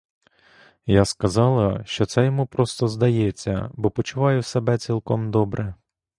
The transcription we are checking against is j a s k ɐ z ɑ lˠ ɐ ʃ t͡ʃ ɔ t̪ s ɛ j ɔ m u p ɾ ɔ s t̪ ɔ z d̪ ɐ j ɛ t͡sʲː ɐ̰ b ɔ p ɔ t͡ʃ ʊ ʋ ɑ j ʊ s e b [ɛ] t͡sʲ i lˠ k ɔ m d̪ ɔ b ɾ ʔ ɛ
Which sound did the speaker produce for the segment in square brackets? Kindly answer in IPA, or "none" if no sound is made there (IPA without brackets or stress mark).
ɛ